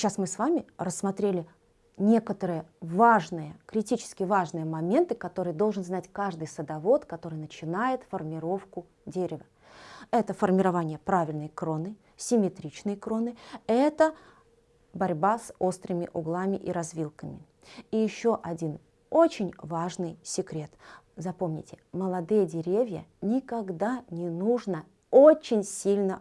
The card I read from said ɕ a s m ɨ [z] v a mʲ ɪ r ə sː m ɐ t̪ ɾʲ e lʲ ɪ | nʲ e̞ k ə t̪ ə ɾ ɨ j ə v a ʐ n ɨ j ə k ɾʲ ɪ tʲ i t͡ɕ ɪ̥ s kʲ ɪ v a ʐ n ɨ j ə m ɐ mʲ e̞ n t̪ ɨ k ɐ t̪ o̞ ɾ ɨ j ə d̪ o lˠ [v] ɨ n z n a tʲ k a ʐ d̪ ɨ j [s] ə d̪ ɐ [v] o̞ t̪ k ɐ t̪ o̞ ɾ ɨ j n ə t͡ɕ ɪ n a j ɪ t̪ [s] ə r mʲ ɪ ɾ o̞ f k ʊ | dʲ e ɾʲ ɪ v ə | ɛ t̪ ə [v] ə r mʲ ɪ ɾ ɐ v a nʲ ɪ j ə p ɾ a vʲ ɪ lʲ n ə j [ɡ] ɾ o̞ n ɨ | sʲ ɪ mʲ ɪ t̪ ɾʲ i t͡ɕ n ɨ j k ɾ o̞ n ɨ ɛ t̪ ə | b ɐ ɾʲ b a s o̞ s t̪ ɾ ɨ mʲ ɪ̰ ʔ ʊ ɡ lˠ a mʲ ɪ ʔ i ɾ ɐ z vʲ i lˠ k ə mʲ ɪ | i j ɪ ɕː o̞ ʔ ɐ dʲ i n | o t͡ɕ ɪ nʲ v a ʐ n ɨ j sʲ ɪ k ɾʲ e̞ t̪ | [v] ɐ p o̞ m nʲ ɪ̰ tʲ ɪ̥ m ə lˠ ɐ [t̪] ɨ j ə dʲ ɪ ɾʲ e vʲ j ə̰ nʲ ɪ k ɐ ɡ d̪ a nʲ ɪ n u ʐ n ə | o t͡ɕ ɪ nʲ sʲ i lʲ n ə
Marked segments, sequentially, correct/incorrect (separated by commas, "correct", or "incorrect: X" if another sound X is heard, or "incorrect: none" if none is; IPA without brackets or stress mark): incorrect: s, incorrect: ʐ, correct, correct, incorrect: f, incorrect: f, incorrect: k, incorrect: z, incorrect: d̪